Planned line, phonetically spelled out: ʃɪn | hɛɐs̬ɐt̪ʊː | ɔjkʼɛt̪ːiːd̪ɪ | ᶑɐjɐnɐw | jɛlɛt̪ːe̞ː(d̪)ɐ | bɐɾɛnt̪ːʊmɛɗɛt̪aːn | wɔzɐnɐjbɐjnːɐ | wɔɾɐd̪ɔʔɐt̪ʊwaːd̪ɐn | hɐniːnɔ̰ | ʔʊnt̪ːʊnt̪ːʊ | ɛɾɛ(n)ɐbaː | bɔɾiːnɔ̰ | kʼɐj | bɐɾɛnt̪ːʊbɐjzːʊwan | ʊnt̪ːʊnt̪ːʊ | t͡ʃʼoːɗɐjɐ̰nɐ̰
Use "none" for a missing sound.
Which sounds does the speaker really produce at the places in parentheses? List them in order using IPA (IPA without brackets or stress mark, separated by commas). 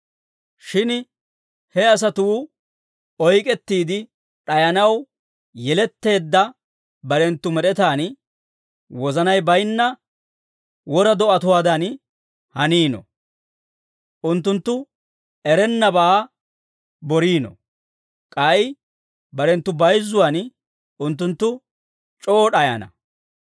d̪ː, nː